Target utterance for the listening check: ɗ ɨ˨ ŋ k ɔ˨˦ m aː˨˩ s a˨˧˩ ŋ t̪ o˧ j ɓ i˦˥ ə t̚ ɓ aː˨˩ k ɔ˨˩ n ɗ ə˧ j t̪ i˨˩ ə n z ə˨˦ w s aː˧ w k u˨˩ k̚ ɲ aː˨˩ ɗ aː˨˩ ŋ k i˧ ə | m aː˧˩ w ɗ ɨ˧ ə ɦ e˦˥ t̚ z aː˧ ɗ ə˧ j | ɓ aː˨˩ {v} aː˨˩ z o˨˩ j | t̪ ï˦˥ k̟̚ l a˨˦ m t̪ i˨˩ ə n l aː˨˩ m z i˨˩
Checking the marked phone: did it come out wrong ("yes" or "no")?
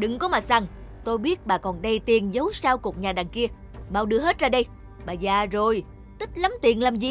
yes